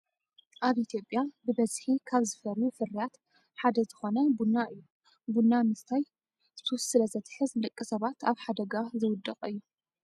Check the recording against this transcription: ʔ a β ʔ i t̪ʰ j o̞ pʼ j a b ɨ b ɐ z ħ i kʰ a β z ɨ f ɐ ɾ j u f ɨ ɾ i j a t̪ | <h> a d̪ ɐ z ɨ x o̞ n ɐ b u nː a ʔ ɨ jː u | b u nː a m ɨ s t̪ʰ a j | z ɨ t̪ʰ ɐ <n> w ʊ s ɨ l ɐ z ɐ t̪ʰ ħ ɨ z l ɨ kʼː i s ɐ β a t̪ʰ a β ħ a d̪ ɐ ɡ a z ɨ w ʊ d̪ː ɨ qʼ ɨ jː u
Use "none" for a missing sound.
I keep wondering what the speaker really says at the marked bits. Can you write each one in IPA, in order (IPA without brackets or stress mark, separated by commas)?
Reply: ħ, none